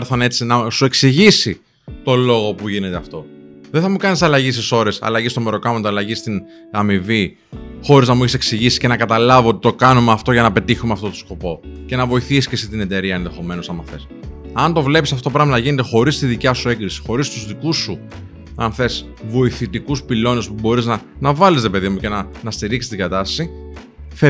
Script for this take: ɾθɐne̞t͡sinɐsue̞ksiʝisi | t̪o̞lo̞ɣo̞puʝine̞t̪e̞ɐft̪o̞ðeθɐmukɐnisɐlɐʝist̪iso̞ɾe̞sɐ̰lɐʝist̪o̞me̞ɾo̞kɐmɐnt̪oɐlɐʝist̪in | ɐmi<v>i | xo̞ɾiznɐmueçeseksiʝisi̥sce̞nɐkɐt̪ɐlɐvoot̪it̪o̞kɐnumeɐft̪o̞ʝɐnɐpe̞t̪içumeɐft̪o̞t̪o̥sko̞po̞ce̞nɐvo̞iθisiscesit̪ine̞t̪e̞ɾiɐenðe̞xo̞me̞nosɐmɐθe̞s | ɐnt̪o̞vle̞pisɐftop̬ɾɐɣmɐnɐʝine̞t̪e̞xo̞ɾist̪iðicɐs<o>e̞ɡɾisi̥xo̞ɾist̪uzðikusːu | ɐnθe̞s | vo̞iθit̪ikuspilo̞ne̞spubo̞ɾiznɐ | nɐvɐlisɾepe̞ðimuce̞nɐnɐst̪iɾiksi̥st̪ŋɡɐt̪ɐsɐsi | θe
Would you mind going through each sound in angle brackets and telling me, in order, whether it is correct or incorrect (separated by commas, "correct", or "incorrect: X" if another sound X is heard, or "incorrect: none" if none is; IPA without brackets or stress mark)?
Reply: correct, incorrect: u